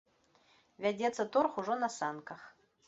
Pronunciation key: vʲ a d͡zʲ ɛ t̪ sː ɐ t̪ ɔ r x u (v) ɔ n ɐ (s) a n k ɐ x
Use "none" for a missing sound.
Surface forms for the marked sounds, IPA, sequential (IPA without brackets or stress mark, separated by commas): ʐ, s